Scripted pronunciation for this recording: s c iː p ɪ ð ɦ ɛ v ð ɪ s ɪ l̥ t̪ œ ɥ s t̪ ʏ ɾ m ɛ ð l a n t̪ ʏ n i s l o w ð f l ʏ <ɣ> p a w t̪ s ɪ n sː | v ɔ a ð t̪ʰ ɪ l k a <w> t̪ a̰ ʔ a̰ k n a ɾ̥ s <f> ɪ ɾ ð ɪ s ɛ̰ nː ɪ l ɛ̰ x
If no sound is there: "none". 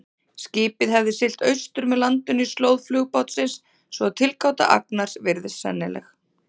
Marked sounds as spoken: ɣ, w, v

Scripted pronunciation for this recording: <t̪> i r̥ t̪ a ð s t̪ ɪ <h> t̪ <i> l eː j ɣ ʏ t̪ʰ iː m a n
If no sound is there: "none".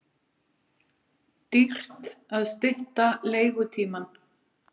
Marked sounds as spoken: t̪, h, a

